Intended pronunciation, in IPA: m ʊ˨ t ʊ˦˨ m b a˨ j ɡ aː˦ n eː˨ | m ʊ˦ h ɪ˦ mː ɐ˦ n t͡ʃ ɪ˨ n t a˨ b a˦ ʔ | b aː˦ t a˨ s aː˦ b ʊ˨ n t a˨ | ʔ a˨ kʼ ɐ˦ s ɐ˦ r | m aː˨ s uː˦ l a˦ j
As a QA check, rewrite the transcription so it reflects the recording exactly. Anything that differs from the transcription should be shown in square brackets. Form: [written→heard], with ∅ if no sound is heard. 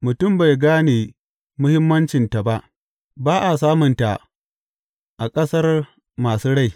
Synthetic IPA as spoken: m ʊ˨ t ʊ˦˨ m b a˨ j ɡ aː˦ n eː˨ | m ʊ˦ h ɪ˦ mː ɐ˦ n t͡ʃ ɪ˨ n t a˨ b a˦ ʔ | b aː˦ [t→ʔ] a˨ s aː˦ [b→m] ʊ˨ n t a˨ | ʔ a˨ kʼ ɐ˦ s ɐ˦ r | m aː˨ s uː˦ [l→ɽ] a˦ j